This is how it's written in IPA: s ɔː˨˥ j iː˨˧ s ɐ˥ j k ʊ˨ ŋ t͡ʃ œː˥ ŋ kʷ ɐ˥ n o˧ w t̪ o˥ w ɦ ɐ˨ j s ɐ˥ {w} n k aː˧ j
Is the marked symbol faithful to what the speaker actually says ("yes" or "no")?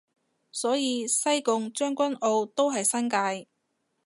no